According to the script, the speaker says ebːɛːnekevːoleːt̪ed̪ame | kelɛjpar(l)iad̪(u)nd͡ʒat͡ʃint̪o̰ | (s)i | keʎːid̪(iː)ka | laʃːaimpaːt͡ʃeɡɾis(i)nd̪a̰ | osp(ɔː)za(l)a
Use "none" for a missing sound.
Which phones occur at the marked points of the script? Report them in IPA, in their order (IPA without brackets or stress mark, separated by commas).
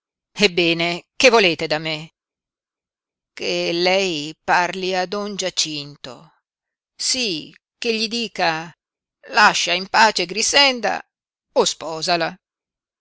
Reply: l, ɔ, s, iː, ɛ, ɔː, l